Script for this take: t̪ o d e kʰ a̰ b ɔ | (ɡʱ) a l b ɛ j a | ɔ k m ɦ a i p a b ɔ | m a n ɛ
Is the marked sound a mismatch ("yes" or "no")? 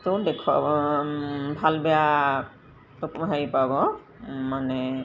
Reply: yes